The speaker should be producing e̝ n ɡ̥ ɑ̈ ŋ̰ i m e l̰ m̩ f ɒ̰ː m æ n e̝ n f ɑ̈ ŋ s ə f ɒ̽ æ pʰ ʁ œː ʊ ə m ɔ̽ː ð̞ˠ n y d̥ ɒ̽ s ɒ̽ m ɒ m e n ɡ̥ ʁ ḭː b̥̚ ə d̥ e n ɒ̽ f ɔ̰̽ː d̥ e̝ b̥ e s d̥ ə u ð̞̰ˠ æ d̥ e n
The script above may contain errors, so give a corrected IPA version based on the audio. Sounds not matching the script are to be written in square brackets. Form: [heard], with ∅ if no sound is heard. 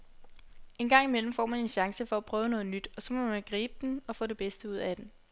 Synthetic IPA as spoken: e̝ n ɡ̥ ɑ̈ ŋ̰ i m e l̰ m̩ f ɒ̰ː m æ n e̝ n [ɕ] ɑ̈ ŋ s ə f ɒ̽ æ pʰ ʁ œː ʊ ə [n] ɔ̽ː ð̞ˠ n y d̥ ɒ̽ s ɒ̽ m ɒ m [æ] n ɡ̥ ʁ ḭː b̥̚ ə d̥ e n ɒ̽ f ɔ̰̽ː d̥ e̝ b̥ e s d̥ ə u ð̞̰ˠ æ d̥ e n